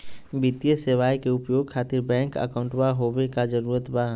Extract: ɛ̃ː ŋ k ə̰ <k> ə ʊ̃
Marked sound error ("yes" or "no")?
no